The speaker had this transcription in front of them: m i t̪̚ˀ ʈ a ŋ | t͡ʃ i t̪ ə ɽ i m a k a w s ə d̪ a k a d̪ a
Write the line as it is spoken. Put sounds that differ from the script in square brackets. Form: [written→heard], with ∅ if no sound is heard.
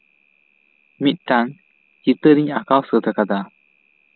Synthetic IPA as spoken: m i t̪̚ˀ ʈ a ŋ | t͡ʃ i t̪ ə [ɽ→ɾ] i [m→ɲ] a k a w s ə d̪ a k a d̪ a